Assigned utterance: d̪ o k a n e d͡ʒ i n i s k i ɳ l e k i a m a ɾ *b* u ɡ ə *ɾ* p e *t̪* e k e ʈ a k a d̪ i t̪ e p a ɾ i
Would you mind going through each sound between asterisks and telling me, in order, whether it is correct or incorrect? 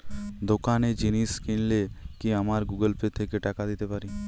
incorrect, incorrect, incorrect

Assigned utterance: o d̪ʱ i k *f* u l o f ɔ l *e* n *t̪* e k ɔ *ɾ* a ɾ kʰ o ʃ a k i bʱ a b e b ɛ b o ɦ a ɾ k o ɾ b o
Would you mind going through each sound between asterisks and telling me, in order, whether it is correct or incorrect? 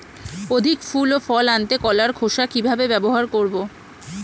correct, incorrect, correct, incorrect

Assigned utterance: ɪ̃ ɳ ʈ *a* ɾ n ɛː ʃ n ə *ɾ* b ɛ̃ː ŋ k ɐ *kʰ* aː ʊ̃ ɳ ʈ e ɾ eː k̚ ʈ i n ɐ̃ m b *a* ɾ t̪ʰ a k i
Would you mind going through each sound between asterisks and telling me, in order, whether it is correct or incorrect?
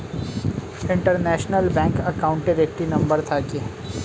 incorrect, incorrect, incorrect, incorrect

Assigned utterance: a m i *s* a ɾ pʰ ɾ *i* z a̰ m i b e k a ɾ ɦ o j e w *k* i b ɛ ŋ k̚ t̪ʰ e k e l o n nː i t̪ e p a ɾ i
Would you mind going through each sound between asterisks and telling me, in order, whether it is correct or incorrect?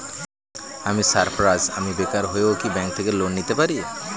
correct, incorrect, correct

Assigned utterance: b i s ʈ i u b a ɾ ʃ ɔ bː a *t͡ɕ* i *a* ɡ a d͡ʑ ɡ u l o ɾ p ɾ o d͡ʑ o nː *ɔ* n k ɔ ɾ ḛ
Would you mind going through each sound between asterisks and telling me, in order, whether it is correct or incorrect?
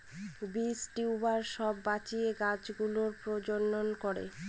correct, incorrect, incorrect

